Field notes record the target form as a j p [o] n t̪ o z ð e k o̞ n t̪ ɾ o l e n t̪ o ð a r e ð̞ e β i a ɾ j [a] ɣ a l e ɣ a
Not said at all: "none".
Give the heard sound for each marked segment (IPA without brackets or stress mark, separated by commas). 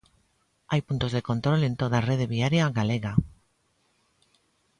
u, a